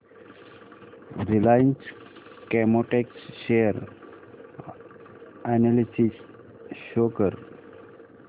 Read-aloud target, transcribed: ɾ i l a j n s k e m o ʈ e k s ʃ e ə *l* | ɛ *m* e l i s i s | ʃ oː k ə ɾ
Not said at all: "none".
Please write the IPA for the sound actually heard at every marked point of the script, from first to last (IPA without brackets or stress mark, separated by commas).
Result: ɾ, n